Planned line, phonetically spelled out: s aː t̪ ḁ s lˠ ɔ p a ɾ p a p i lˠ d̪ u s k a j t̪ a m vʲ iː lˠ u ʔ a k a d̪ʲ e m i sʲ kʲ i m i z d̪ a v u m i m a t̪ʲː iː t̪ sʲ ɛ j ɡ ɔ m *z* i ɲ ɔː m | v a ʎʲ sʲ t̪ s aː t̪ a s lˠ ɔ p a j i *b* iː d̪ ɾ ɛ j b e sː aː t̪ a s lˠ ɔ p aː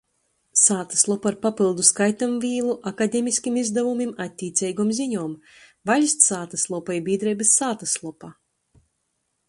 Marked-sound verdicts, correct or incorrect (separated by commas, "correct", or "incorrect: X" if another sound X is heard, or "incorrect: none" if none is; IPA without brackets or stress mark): correct, correct